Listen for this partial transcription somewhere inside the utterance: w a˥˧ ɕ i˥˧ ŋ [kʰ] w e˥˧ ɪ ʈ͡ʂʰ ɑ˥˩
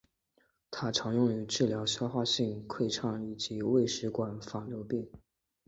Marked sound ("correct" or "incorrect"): correct